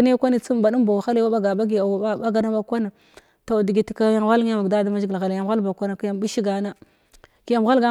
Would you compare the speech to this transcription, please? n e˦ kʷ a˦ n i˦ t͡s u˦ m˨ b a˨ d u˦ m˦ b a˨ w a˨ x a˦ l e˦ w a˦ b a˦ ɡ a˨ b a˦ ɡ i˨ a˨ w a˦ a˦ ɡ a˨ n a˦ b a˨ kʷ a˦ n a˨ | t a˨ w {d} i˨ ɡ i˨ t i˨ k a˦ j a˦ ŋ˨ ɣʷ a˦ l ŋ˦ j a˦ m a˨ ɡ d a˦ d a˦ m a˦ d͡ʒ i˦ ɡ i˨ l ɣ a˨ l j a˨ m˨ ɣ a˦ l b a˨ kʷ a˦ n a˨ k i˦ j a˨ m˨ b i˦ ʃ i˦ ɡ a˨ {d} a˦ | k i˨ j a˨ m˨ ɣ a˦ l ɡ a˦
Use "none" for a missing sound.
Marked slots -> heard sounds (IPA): d, n

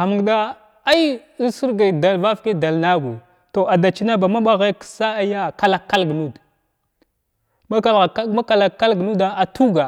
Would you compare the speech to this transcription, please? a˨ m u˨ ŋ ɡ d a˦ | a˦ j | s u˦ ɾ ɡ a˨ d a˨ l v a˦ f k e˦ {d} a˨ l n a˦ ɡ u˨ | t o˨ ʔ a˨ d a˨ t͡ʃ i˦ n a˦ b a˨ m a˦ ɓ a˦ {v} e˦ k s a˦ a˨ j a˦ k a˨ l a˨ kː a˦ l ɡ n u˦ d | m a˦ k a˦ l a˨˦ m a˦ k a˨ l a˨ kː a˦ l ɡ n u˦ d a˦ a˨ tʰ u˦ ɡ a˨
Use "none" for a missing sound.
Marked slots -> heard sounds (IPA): d, ɣ

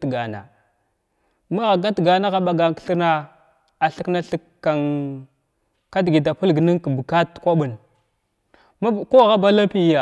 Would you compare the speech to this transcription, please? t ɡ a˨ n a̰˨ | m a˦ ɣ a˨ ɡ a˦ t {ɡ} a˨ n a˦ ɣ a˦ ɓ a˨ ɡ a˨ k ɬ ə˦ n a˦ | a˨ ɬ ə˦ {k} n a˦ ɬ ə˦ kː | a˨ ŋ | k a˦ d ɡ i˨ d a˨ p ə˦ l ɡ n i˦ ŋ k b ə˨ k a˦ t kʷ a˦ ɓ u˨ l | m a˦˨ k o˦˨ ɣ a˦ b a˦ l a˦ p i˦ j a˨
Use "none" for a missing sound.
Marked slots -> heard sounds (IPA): ɡ, k

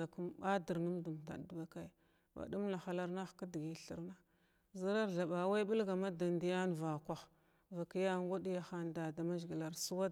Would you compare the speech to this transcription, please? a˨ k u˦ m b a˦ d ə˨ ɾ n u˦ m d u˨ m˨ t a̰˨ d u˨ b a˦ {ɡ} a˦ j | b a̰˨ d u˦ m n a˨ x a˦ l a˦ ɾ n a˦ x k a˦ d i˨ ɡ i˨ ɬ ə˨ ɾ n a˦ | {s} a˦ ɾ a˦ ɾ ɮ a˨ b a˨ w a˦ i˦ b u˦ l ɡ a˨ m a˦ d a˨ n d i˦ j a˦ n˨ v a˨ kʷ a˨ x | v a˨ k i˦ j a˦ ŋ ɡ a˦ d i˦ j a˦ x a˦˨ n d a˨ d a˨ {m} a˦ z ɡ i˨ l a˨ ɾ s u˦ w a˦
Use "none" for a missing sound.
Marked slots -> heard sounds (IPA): k, z, m

